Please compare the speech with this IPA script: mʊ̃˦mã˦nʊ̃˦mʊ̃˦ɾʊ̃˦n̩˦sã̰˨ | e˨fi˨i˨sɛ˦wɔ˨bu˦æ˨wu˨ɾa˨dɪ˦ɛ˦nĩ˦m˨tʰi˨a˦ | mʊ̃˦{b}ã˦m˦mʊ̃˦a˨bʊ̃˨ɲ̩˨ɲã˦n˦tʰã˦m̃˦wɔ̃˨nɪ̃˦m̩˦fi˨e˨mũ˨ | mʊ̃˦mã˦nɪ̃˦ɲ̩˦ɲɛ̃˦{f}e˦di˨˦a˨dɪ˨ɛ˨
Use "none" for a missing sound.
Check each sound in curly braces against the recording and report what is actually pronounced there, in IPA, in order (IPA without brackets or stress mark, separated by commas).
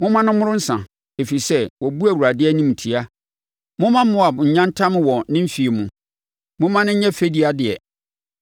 m, f